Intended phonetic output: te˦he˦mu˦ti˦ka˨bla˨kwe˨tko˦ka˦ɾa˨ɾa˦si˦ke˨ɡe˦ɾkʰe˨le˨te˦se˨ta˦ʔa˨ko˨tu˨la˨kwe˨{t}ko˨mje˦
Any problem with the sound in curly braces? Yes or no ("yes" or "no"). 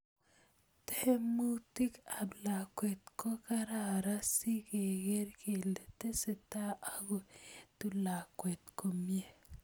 no